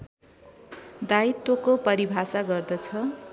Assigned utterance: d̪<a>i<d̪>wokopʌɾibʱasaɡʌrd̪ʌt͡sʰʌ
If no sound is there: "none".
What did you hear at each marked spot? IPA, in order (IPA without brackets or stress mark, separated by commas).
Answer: a, t̪